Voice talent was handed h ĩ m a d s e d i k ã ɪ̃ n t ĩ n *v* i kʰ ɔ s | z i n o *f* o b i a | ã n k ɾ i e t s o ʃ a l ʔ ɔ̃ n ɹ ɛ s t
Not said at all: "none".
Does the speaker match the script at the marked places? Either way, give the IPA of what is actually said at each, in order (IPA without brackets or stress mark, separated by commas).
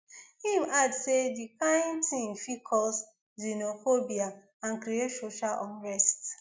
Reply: f, f